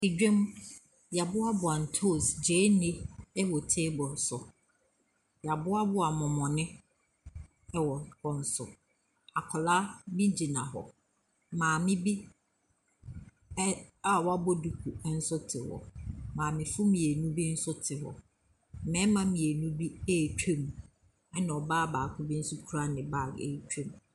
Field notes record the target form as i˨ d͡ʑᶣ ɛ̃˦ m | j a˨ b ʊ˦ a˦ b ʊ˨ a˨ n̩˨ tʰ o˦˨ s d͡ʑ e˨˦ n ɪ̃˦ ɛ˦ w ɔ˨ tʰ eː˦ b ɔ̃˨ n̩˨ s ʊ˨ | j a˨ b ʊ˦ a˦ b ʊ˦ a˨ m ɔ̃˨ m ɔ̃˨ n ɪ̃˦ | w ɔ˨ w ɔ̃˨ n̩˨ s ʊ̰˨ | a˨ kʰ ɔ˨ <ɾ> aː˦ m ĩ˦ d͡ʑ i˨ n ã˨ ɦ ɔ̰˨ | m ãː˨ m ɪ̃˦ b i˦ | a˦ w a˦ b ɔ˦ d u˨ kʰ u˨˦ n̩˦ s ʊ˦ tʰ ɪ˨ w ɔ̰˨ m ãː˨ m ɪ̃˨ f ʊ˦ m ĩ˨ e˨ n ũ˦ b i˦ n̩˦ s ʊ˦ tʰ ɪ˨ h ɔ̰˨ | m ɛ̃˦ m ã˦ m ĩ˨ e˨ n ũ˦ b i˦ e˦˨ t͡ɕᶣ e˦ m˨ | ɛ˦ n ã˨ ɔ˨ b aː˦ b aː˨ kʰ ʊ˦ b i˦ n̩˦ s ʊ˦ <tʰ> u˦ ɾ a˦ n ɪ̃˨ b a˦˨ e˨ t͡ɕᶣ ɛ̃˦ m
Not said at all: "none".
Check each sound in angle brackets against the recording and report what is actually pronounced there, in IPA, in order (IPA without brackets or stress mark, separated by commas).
l, kʰ